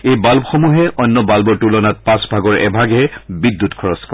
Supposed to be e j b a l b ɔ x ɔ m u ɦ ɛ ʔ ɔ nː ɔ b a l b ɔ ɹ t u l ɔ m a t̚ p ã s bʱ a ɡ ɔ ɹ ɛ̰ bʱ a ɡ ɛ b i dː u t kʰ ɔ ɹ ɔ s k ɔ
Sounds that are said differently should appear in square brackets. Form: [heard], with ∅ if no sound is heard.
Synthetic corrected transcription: e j b a l b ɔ x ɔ m u ɦ ɛ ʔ ɔ nː ɔ b a l b ɔ ɹ t u l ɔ [n] a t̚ p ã s bʱ a ɡ ɔ ɹ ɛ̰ bʱ a ɡ ɛ b i dː u t kʰ ɔ ɹ ɔ s k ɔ